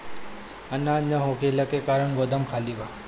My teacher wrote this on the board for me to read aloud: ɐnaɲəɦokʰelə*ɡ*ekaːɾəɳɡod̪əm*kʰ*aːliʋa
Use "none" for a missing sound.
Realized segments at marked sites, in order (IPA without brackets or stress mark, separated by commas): k, kʰ